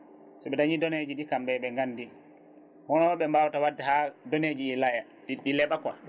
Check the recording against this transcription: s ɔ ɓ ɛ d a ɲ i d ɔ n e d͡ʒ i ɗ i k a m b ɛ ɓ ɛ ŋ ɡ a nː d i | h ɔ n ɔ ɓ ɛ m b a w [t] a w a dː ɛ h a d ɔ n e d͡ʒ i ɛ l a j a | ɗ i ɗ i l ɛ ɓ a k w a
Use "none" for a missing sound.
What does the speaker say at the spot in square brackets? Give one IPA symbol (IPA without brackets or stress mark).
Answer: t